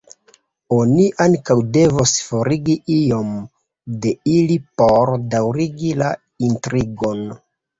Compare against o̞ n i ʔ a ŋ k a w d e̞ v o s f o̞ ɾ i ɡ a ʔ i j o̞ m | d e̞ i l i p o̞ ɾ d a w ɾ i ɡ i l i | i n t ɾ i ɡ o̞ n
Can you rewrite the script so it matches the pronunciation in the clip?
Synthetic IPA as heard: o̞ n i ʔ a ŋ k a w d e̞ v o s f o̞ ɾ i ɡ i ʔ i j o̞ m | d e̞ i l i p o̞ ɾ d a w ɾ i ɡ i l a | i n t ɾ i ɡ o̞ n